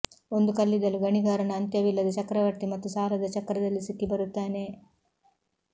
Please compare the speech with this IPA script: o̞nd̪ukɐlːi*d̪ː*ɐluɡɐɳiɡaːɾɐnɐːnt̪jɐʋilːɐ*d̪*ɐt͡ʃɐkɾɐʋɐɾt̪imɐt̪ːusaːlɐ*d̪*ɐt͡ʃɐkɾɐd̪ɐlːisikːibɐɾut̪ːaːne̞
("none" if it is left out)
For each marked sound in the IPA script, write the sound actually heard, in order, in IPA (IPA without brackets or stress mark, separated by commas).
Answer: d̪, d̪, d̪